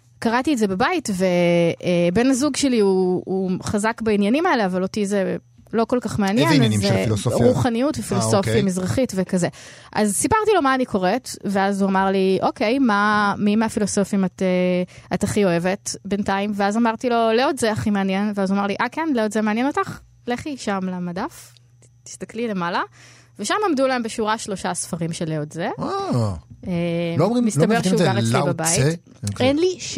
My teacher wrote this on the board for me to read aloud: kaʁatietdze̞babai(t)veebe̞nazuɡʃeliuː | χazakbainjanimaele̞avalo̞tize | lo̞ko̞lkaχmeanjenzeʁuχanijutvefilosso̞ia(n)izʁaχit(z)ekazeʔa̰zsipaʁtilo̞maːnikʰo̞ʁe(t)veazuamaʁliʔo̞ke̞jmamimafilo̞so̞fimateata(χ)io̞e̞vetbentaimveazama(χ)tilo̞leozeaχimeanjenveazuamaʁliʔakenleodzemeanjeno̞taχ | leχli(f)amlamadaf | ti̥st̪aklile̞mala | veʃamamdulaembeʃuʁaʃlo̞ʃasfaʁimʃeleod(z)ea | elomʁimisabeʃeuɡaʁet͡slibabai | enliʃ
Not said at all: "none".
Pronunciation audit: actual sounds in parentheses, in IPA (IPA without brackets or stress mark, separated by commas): t, m, v, t, χ, ʁ, ʃ, z